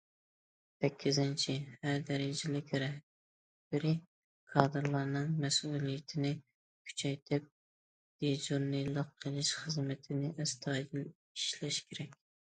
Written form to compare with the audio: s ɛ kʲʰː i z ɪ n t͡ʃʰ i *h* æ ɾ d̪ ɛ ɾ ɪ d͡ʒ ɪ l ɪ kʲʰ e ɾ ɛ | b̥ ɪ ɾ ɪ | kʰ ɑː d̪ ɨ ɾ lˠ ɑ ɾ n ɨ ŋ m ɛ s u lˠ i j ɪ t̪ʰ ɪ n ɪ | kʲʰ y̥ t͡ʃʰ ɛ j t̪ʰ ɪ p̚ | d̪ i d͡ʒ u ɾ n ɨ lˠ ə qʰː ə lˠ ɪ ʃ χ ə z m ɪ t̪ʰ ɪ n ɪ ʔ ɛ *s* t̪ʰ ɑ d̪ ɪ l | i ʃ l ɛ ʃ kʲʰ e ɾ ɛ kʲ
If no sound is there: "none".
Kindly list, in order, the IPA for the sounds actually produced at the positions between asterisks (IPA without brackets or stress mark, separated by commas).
h, s